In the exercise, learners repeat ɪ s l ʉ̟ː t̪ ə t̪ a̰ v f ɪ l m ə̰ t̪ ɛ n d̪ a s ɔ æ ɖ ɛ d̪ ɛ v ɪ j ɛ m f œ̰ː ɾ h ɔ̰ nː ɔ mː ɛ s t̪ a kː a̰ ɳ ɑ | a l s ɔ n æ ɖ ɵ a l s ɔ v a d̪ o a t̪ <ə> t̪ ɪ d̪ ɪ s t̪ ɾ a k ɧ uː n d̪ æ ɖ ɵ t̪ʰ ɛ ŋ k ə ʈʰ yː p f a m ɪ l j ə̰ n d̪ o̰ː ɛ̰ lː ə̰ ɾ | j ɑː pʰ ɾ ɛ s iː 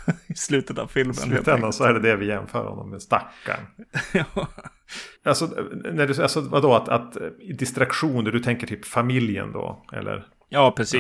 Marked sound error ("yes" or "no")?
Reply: yes